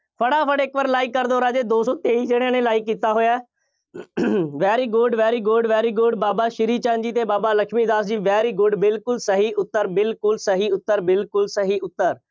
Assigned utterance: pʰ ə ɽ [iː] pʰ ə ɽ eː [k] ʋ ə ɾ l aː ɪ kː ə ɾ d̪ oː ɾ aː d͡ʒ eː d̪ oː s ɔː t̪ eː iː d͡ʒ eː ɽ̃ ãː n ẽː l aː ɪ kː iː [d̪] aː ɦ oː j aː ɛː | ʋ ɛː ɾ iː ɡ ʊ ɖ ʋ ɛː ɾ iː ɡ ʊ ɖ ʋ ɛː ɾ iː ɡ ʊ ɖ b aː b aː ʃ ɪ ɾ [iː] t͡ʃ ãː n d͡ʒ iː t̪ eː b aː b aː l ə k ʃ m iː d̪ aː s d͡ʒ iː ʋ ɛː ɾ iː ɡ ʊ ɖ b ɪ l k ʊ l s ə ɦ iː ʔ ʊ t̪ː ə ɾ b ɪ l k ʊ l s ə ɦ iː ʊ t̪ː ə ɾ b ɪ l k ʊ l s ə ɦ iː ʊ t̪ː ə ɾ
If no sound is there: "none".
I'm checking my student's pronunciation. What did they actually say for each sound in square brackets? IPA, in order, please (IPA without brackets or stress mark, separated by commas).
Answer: aː, k, t̪, iː